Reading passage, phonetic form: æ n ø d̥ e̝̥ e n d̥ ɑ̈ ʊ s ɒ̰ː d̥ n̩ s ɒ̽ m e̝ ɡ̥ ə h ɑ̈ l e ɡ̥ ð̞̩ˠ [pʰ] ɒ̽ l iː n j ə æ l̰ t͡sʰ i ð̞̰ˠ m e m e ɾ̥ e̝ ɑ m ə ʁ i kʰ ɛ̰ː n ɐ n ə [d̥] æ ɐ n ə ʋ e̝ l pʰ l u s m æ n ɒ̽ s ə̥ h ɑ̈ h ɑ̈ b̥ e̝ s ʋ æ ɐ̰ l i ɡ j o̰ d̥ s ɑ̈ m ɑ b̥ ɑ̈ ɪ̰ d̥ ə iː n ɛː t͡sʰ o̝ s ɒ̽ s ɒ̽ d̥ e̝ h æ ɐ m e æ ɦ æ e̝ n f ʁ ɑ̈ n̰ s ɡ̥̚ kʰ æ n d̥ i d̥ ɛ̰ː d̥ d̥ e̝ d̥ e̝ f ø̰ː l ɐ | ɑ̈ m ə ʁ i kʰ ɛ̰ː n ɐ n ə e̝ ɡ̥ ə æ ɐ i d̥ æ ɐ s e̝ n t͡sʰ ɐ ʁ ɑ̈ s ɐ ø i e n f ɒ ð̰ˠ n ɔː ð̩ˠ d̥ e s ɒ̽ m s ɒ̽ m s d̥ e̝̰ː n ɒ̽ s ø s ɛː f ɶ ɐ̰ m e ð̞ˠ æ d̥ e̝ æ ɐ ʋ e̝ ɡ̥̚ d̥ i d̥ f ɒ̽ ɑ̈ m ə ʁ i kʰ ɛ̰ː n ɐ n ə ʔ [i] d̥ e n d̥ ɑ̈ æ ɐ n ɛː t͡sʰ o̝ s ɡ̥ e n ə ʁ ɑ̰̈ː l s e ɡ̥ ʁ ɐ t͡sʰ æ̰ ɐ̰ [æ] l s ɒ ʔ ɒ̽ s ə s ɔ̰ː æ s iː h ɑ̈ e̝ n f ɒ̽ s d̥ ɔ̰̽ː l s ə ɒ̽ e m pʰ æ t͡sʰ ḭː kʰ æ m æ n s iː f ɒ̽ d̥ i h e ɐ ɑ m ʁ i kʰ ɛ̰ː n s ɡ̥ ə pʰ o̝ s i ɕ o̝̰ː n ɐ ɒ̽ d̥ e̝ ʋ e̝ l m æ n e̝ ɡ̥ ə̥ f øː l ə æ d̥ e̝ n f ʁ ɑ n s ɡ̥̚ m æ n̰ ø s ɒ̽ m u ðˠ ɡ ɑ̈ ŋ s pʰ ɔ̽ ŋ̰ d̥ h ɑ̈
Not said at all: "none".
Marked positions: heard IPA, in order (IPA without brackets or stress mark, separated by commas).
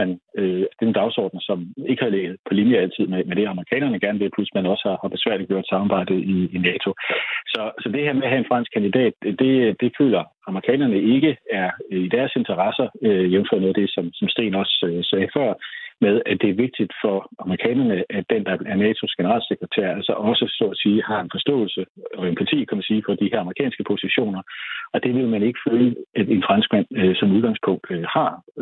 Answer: pʰ, ɡ̥, æ, æ